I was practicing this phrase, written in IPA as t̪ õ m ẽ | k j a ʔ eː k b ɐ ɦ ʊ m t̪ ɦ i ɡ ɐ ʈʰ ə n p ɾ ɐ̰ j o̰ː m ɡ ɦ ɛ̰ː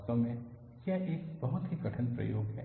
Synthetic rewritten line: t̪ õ m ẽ | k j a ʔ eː k b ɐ ɦ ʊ t̪ ɦ i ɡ ɐ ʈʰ ə n p ɾ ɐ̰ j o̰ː ɡ ɦ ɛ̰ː